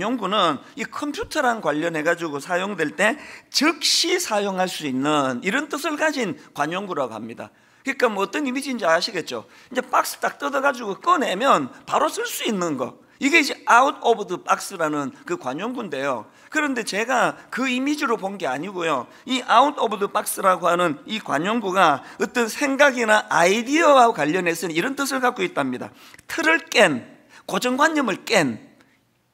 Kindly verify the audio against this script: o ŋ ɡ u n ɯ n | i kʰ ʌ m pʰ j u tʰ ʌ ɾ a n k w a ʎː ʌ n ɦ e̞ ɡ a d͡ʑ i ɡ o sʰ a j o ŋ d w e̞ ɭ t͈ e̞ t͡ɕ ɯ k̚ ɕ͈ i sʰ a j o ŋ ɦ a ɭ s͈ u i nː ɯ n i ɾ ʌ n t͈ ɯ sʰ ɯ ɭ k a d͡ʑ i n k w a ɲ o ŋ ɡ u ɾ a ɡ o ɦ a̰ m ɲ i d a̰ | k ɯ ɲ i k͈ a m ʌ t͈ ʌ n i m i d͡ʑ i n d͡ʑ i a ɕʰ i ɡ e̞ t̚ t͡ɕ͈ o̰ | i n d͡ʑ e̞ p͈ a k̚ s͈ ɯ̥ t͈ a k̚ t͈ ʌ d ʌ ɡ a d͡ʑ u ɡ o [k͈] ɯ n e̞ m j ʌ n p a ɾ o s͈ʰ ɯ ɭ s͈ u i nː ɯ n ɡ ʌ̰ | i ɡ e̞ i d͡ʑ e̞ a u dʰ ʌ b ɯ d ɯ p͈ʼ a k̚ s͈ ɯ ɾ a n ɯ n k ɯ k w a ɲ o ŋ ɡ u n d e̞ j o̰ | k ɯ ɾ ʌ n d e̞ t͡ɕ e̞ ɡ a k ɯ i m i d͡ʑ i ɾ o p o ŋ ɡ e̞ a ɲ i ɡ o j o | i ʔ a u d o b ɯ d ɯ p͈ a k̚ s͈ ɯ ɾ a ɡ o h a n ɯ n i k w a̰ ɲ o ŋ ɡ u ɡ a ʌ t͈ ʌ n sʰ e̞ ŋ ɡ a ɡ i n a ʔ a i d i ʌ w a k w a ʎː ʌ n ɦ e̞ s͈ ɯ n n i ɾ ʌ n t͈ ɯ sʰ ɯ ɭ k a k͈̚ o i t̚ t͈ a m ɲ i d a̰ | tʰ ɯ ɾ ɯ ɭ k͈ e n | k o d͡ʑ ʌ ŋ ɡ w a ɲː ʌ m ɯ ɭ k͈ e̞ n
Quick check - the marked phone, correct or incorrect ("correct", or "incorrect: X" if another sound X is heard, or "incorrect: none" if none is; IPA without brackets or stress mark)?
correct